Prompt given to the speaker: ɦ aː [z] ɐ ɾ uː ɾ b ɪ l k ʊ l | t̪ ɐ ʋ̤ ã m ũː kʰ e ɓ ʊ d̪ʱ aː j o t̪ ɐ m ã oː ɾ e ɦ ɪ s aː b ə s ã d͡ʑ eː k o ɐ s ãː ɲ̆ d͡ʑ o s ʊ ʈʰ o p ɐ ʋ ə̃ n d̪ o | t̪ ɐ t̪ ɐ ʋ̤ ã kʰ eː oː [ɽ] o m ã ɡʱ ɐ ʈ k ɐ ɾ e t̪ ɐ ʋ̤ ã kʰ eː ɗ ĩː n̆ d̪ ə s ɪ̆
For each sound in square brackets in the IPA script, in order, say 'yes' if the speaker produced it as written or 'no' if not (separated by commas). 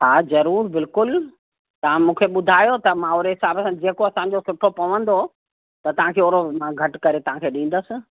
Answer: yes, no